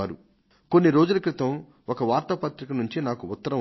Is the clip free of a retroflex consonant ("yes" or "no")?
yes